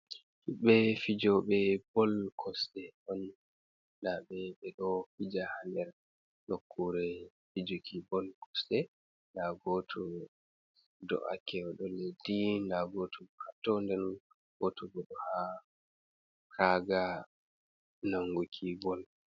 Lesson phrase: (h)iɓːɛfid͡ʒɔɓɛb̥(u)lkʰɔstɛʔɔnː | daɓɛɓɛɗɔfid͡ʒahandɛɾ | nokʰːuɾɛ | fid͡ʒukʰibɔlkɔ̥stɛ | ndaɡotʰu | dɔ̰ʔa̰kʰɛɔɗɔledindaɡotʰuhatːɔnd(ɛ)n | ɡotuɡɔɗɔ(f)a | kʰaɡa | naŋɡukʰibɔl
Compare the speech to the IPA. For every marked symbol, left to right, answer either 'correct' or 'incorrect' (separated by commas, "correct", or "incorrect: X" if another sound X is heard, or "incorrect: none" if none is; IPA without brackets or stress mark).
correct, incorrect: ɔ, correct, incorrect: h